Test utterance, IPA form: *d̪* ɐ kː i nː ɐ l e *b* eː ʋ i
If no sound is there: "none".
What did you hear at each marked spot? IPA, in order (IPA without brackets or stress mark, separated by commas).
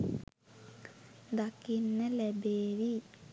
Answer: d̪, b